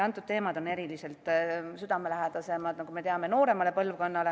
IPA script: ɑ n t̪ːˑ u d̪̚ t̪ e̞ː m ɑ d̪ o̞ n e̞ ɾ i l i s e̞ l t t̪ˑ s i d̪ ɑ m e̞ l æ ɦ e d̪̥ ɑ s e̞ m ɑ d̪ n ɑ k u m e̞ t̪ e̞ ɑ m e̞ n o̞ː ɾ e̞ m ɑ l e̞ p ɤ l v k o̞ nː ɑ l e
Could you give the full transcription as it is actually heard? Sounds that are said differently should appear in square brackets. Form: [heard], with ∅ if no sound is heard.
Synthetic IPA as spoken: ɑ n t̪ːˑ u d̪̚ t̪ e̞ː m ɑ d̪ o̞ n e̞ ɾ i l i s e̞ l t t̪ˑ s [y] d̪ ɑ m e̞ l æ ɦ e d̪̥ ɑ s e̞ m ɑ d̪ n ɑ k u m e̞ t̪ e̞ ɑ m e̞ n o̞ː ɾ e̞ m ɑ l e̞ p ɤ l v k o̞ nː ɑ l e